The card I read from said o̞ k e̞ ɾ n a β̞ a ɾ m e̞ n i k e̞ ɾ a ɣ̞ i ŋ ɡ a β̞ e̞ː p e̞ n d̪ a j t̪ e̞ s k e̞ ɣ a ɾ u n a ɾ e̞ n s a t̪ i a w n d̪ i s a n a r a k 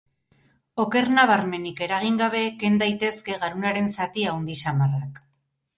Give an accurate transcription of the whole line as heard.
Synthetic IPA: o̞ k e̞ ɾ n a β̞ a ɾ m e̞ n i k e̞ ɾ a ɣ̞ i ŋ ɡ a β̞ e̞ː k e̞ n d̪ a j t̪ e̞ s k e̞ ɣ a ɾ u n a ɾ e̞ n s a t̪ i a w n d̪ i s a m a r a k